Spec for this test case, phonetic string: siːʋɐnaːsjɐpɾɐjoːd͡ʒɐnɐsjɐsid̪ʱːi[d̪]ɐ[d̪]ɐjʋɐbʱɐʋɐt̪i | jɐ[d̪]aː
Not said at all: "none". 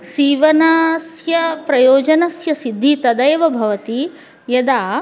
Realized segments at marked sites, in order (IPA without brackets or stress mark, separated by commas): t̪, d̪, d̪